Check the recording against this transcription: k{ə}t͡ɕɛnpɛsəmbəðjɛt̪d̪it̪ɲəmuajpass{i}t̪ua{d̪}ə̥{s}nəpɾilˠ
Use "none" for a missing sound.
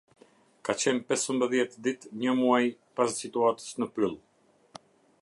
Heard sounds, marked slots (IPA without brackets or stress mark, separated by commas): a, i, t̪, s